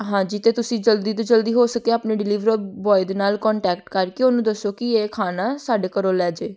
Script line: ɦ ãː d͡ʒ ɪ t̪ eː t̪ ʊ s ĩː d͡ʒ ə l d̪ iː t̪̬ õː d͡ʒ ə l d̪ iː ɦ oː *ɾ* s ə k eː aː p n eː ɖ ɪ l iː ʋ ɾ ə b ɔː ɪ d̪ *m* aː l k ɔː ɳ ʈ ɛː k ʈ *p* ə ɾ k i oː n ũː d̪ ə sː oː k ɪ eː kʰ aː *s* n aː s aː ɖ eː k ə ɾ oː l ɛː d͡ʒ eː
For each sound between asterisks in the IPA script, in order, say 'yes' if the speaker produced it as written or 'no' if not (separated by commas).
no, no, no, no